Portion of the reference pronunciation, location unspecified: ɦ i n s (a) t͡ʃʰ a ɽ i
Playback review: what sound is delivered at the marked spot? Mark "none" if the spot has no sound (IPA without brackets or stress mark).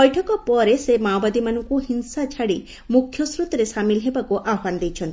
a